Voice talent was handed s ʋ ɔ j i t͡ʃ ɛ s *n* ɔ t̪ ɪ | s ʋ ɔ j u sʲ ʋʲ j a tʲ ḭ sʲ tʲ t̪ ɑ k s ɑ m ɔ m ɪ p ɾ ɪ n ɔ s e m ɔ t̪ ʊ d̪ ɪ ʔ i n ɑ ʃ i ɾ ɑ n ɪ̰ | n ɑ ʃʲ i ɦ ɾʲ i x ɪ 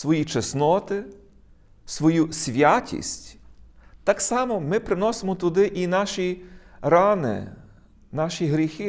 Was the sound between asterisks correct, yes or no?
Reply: yes